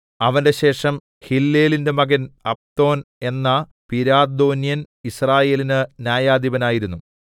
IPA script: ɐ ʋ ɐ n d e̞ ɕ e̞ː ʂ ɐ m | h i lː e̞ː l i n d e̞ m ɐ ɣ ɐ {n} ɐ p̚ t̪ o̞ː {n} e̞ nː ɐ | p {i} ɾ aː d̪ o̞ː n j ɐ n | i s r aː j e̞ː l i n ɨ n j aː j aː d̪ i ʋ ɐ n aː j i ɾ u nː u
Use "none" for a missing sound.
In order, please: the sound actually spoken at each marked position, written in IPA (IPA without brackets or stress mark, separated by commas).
n, n, i